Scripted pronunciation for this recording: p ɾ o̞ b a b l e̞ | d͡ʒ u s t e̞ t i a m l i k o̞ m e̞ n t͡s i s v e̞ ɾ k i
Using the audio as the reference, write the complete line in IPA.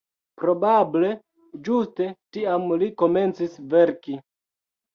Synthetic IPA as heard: p ɾ o̞ b a b l e̞ | d͡ʒ u s t e̞ t i a m l i k o̞ m e̞ n t͡s i s v e̞ ɾ k i